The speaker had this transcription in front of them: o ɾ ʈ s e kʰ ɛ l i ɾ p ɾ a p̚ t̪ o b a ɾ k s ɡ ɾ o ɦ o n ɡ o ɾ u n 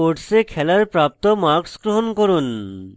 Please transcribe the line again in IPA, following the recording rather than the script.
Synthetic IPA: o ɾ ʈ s e kʰ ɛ l a ɾ p ɾ a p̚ t̪ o m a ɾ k s ɡ ɾ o ɦ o n k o ɾ u n